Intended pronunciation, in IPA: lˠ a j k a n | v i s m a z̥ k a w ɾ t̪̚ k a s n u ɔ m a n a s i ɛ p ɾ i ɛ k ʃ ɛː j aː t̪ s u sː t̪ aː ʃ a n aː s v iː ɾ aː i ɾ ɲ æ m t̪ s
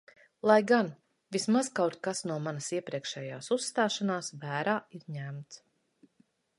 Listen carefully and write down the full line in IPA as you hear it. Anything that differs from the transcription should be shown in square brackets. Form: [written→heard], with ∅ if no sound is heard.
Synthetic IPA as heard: lˠ a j [k→ɡ] a n | v i s m a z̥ k a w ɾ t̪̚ k a s n u ɔ m a n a s i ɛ p ɾ i ɛ k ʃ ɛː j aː [t̪→∅] s u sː t̪ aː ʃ a n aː s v [iː→æː] ɾ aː i ɾ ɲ æ m t̪ s